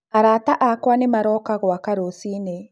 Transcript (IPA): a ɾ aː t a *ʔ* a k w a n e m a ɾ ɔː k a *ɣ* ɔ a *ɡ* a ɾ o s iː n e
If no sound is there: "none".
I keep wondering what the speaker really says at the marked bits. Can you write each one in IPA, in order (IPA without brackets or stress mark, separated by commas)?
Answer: ʔ, ɣ, k